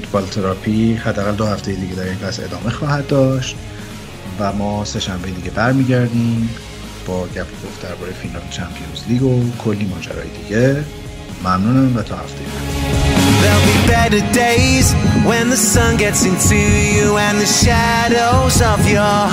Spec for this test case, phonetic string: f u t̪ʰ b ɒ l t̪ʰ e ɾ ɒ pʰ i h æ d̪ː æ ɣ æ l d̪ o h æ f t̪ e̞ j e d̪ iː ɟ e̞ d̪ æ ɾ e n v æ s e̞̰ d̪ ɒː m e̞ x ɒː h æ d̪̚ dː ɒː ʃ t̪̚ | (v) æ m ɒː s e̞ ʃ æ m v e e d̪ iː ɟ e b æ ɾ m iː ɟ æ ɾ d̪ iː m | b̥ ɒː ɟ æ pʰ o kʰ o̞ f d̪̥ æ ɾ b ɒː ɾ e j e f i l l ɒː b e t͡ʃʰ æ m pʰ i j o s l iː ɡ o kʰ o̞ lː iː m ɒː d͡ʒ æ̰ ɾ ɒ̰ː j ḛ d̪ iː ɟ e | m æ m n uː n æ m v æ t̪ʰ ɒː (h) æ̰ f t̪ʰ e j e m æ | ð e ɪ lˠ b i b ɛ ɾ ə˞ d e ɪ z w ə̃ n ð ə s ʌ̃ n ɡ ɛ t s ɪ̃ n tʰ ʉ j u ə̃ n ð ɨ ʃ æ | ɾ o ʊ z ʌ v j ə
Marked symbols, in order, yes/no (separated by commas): yes, yes